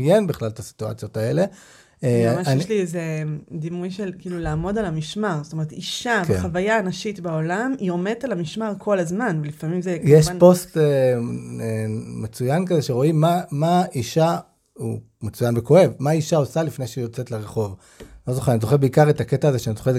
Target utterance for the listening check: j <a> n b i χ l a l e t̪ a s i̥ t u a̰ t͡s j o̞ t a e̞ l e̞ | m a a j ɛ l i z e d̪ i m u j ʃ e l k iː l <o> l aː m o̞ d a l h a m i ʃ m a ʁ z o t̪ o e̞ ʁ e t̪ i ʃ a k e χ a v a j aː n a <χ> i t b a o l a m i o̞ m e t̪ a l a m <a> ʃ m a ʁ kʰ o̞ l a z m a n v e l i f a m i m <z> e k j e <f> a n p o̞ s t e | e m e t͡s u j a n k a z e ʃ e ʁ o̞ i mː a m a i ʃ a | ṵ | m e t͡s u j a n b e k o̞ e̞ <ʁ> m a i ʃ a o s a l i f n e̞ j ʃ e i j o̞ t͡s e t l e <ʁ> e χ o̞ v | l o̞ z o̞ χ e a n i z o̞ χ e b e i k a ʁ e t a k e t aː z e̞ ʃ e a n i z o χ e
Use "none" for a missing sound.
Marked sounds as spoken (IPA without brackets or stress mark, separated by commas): e, u, ʃ, i, z, ʃ, v, ʁ